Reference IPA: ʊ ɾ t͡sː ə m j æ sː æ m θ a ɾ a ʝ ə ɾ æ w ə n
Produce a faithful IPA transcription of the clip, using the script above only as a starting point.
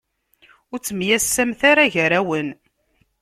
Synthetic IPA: ʊ ɾ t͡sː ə m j æ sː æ m θ a ɾ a ʝ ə ɾ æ w ə n